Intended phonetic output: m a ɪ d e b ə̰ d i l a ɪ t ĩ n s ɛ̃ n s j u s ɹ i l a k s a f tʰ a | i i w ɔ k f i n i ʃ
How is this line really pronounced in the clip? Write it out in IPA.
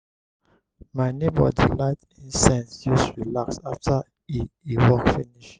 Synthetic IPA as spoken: m a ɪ n e b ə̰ d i l a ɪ t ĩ n s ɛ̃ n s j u s ɹ i l a k s a f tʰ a | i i w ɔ k f i n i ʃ